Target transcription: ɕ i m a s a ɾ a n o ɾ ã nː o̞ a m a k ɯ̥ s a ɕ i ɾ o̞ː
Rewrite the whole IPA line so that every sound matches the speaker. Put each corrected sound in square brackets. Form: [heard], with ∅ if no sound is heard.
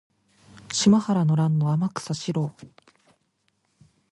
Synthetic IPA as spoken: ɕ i m a [h] a ɾ a n o ɾ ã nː o̞ a m a k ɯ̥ s a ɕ i ɾ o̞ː